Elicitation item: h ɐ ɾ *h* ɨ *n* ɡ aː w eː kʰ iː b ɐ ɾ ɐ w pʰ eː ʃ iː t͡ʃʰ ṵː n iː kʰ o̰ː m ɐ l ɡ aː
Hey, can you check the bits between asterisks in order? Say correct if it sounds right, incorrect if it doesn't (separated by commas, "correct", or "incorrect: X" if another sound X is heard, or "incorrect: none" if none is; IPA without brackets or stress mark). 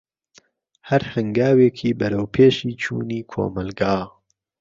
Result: correct, incorrect: ŋ